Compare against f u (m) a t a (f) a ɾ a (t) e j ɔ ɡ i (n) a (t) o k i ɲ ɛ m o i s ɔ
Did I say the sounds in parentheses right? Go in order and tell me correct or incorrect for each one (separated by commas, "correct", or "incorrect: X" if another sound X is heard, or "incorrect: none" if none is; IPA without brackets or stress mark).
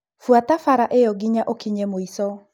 incorrect: none, correct, incorrect: ʔ, incorrect: ɲ, incorrect: ʔ